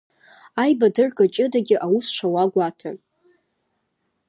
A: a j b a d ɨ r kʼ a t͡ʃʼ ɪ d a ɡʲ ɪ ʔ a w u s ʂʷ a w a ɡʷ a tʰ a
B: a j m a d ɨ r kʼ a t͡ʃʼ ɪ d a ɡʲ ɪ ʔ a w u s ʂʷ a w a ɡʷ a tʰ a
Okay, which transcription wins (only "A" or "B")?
A